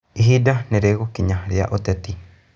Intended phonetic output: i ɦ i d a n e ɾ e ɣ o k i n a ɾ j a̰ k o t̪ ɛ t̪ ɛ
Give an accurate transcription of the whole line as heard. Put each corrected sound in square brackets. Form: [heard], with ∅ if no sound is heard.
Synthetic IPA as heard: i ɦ i d a n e ɾ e ɣ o k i [ɲ] a ɾ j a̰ [ʔ] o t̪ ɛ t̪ [i]